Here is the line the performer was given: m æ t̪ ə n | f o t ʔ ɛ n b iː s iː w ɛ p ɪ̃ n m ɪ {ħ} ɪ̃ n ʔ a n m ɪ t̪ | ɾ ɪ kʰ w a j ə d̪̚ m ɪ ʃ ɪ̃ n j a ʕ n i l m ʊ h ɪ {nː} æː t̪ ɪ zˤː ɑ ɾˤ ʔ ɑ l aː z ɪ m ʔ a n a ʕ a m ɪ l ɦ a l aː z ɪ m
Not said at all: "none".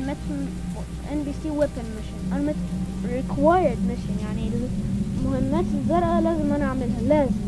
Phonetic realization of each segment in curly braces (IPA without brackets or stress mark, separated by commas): ʃ, mː